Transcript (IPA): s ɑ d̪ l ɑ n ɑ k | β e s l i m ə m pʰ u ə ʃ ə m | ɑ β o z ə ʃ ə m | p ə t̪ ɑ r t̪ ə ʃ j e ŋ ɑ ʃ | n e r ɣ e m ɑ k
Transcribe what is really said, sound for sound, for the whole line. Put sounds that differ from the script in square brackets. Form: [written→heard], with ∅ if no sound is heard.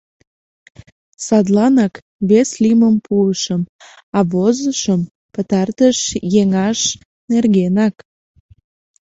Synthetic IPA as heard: s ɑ d̪ l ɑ n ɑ k | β e s l i m ə m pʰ u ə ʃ ə m | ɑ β o z ə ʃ ə m | p ə t̪ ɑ r t̪ ə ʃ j e ŋ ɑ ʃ | n e r ɣ e [m→n] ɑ k